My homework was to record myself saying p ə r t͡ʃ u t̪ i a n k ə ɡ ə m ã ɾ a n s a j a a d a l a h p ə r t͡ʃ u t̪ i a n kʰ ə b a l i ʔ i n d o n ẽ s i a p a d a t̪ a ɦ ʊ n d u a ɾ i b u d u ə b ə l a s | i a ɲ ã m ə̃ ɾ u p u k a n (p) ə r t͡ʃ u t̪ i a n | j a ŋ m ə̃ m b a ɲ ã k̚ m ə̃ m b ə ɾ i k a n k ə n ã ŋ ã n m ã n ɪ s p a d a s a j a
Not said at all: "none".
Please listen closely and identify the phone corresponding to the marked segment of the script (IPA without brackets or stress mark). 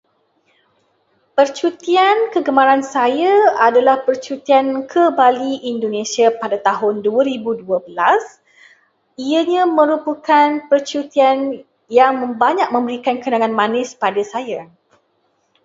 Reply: p